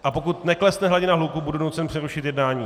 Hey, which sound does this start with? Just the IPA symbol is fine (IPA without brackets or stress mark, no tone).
ʔ